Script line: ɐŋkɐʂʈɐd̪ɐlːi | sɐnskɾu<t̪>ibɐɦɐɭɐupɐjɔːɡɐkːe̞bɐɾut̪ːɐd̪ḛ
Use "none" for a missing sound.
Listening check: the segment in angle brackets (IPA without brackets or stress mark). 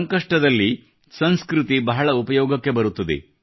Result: t̪